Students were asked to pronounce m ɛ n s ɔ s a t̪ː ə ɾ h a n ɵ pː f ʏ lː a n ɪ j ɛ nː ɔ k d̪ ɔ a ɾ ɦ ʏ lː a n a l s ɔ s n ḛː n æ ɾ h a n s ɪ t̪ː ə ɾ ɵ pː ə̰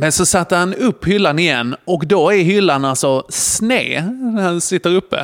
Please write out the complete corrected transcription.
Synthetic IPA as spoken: m ɛ n s ɔ s a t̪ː ə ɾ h a n ɵ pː h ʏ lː a n ɪ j ɛ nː ɔ k d̪ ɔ æ ɾ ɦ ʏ lː a n a l s ɔ s n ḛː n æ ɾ h a n s ɪ t̪ː ə ɾ ɵ pː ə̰